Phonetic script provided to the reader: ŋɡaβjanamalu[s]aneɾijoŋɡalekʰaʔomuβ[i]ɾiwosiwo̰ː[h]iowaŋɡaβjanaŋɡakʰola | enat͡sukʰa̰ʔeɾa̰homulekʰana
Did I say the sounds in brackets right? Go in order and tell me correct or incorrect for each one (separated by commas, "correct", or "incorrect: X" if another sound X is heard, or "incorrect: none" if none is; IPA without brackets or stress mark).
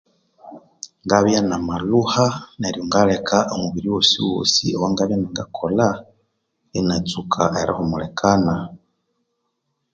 incorrect: h, correct, incorrect: s